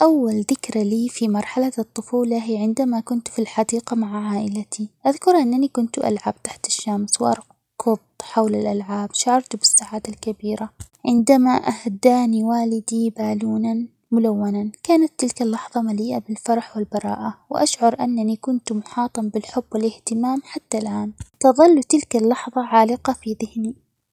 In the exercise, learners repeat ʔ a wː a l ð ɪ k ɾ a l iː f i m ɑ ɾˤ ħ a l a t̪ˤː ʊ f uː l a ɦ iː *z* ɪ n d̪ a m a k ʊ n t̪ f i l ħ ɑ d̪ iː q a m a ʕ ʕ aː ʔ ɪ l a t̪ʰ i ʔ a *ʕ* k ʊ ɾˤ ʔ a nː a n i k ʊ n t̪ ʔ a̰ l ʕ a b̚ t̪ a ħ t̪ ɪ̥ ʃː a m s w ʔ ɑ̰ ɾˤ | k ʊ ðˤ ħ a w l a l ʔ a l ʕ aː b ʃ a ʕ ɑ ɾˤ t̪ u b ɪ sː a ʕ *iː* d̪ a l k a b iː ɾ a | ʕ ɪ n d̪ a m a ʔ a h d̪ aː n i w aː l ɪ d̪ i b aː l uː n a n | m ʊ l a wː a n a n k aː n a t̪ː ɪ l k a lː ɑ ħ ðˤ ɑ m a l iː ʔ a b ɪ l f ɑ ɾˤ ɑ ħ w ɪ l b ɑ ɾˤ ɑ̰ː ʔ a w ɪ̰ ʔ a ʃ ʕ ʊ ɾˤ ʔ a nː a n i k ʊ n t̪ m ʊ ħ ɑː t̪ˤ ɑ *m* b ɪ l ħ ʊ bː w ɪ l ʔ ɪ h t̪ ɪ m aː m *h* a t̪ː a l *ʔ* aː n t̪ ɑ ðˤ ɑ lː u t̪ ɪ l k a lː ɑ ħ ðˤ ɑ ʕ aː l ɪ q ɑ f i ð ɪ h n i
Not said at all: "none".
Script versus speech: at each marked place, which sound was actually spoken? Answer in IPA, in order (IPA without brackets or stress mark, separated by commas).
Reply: ʕ, ð, aː, m, ħ, ʔ